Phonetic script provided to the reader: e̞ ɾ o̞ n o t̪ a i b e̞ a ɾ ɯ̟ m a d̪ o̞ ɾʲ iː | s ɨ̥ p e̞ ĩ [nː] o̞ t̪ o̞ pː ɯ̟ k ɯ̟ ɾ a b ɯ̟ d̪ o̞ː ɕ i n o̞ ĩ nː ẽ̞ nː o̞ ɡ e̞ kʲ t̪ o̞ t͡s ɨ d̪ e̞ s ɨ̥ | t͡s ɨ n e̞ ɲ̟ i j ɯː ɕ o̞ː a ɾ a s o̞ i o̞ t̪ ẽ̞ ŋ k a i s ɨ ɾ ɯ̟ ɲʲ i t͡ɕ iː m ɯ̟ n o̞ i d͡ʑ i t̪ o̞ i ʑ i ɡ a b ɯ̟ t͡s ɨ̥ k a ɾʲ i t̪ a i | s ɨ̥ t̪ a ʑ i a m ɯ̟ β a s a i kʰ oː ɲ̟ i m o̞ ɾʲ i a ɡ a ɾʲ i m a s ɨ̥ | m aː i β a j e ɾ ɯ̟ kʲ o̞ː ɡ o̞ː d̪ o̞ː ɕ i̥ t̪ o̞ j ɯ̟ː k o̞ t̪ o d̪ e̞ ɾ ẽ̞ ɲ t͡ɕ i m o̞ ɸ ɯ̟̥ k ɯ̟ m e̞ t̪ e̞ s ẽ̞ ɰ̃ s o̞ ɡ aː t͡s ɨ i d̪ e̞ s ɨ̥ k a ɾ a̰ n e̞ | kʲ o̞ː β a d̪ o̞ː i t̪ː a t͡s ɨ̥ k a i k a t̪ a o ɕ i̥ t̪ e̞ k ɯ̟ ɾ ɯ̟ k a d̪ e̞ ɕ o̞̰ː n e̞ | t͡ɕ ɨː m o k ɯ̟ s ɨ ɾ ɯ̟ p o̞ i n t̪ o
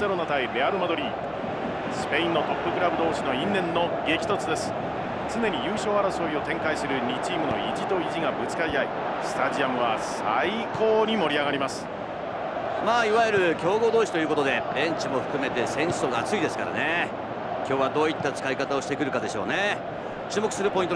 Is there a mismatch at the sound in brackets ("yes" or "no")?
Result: no